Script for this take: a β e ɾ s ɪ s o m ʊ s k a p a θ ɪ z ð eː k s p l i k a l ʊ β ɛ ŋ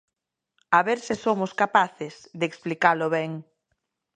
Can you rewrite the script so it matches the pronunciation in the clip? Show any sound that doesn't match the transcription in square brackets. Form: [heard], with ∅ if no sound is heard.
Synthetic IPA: a β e ɾ s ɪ s o m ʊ s k a p a θ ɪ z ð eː k s p l i k a l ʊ β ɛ ŋ